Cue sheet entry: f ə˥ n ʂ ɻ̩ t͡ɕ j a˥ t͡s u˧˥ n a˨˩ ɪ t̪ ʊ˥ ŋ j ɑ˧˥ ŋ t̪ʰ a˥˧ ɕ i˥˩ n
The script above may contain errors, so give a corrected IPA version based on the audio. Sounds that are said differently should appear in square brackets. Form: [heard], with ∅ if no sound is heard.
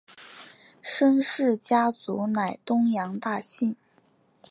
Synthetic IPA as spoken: [ʂ] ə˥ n ʂ ɻ̩ t͡ɕ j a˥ t͡s u˧˥ n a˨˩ ɪ t̪ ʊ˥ ŋ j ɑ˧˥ ŋ [t̪] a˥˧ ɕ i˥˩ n

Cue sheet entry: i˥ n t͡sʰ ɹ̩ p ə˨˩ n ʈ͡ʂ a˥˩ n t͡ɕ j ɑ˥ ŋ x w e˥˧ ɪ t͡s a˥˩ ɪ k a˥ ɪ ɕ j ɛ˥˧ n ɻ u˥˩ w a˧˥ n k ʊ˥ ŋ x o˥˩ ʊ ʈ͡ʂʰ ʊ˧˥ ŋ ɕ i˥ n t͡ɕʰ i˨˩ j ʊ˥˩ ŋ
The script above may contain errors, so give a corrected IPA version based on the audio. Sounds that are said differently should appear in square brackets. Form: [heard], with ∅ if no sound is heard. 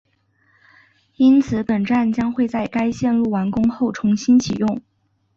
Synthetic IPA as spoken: i˥ n t͡sʰ ɹ̩ p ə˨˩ n ʈ͡ʂ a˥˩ n t͡ɕ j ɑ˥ ŋ x w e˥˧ ɪ t͡s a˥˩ ɪ k a˥ ɪ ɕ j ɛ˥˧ n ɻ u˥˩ w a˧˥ n k ʊ˥ ŋ x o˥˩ ʊ ʈ͡ʂʰ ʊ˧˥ ŋ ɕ i˥ n t͡ɕʰ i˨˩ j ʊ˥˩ ŋ

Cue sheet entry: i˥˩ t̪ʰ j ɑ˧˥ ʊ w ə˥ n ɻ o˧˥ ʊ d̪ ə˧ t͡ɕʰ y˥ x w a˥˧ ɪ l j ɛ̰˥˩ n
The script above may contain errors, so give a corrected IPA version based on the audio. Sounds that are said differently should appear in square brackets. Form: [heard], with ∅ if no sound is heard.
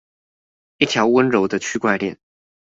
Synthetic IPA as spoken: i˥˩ t̪ʰ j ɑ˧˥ ʊ w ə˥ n ɻ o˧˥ ʊ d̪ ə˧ t͡ɕʰ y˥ [k] w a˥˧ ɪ l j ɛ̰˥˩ n

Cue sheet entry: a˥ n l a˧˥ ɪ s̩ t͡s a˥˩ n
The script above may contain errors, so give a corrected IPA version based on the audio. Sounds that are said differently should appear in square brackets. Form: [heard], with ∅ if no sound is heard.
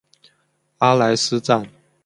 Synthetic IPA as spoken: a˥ [∅] l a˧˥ ɪ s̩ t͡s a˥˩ n

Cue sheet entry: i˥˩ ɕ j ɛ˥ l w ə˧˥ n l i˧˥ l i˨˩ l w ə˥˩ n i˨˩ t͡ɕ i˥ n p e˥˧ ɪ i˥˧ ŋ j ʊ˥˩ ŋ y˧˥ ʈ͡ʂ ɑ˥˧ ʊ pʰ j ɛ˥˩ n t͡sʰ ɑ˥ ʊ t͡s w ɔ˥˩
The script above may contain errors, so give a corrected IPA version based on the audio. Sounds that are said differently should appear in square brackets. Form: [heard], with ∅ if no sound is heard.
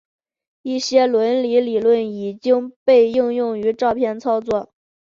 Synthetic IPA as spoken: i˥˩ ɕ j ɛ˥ l w ə˧˥ n l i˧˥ l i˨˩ l w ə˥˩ n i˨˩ t͡ɕ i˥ [ŋ] p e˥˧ ɪ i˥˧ ŋ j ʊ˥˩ ŋ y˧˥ ʈ͡ʂ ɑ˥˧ ʊ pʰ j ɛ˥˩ n t͡sʰ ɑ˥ ʊ t͡s w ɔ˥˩

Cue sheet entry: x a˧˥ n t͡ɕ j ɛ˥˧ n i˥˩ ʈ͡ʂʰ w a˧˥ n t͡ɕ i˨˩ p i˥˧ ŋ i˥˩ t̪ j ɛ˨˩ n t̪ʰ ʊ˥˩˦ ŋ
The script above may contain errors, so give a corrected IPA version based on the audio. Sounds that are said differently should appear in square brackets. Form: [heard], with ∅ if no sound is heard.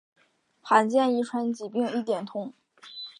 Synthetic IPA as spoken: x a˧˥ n t͡ɕ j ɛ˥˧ n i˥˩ ʈ͡ʂʰ w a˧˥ n t͡ɕ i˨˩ p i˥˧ ŋ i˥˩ t̪ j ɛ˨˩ n t̪ʰ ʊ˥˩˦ ŋ

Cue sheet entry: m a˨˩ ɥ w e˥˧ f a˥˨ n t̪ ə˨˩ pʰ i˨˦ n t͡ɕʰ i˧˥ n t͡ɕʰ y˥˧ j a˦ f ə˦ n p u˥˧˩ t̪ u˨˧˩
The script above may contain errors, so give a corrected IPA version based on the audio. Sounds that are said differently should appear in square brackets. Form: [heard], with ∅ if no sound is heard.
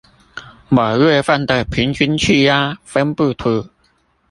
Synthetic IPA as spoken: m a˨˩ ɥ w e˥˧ f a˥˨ n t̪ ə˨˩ pʰ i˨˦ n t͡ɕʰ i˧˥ n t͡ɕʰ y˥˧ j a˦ f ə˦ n p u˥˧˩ [t̪ʰ] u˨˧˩

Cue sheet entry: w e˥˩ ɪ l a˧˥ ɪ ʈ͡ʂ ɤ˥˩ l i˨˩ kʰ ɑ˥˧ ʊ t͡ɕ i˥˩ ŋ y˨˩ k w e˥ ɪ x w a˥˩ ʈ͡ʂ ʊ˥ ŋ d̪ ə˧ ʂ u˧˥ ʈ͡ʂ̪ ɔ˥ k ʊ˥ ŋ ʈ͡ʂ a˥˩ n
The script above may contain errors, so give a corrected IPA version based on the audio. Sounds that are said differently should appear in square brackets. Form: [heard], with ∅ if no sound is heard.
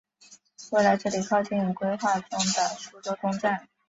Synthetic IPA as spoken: w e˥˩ ɪ l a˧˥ ɪ ʈ͡ʂ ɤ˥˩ l i˨˩ kʰ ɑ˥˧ ʊ t͡ɕ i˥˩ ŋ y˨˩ k w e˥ ɪ x w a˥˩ ʈ͡ʂ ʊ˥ ŋ d̪ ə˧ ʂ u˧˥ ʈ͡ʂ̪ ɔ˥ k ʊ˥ ŋ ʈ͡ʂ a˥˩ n

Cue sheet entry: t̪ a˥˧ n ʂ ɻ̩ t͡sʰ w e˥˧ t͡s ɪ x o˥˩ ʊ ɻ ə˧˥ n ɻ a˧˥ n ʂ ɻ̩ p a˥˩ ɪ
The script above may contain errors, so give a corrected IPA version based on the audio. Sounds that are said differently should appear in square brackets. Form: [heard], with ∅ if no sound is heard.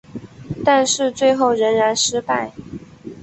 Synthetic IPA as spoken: t̪ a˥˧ n ʂ ɻ̩ [t͡s] w e˥˧ [∅] ɪ x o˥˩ ʊ ɻ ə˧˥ n ɻ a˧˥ n ʂ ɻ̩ p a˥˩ ɪ

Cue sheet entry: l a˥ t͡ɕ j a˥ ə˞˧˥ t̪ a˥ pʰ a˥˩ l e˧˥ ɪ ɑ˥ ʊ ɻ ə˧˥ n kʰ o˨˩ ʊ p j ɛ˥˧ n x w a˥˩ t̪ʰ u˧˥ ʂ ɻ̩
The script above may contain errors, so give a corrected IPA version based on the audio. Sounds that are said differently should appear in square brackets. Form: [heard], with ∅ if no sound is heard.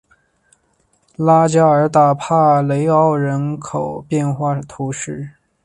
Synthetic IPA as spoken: l a˥ t͡ɕ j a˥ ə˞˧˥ t̪ [a˨˩] pʰ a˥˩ l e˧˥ ɪ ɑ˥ ʊ ɻ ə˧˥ n kʰ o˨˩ ʊ p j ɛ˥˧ n x w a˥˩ t̪ʰ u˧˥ ʂ ɻ̩

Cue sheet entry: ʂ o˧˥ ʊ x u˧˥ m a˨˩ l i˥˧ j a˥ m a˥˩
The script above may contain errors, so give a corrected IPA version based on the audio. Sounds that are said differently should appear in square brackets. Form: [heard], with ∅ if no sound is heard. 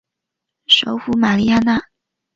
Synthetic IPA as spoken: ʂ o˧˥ ʊ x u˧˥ m a˨˩ l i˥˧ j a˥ [n] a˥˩

